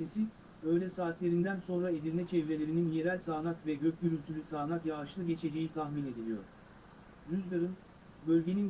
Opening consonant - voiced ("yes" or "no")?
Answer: no